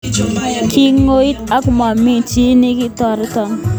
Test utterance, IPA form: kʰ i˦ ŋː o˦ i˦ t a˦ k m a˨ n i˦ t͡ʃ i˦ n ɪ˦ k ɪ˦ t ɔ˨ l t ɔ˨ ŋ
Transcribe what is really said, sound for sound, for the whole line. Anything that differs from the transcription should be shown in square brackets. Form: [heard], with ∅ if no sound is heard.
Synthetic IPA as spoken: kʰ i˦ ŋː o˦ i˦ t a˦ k m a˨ [m] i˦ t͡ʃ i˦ n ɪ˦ k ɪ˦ t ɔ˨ [ɾ] t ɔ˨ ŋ